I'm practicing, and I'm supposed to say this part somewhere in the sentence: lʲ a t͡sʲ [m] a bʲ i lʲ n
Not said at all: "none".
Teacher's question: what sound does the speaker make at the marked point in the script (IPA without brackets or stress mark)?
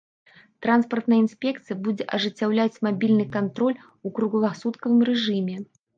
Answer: m